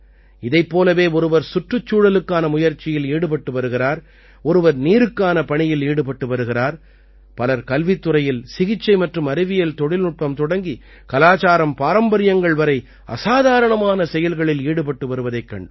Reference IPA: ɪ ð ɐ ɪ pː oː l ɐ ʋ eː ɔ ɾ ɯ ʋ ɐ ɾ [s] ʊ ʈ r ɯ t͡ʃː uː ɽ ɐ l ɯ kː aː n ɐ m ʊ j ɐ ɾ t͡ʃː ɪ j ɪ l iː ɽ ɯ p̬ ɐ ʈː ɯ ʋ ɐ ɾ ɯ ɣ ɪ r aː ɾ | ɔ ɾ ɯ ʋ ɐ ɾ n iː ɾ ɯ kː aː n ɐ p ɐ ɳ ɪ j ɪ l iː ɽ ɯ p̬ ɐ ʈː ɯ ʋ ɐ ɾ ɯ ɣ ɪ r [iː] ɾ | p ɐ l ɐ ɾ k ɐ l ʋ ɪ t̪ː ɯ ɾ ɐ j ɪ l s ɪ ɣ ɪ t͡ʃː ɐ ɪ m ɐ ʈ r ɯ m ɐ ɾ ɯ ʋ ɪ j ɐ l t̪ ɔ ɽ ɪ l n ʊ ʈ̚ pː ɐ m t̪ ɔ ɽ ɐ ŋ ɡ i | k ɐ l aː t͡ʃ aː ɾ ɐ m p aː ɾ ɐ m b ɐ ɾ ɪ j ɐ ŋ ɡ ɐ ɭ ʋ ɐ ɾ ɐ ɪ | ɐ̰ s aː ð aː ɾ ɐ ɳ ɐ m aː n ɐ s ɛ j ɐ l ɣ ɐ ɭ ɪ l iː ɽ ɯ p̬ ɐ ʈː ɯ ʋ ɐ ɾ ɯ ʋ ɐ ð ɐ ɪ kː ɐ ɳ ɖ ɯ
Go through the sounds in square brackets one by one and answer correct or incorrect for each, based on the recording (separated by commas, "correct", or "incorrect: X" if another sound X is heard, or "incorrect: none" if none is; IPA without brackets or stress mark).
correct, incorrect: aː